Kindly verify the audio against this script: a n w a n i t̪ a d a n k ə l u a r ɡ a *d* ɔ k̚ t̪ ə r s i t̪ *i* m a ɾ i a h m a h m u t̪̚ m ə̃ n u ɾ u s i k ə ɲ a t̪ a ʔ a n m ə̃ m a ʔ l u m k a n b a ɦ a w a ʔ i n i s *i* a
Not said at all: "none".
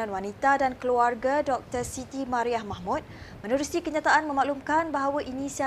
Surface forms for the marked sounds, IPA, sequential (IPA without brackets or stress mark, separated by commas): d, i, i